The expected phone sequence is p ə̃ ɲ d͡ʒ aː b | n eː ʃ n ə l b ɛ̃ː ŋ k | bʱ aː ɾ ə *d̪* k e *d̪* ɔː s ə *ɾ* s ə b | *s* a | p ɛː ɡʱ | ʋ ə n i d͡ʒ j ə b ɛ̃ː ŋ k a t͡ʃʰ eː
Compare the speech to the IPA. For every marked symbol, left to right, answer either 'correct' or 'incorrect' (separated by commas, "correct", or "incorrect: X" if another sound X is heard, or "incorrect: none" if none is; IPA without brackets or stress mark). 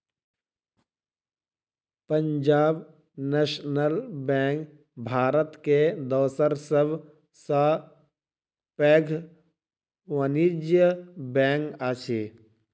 incorrect: t̪, correct, correct, correct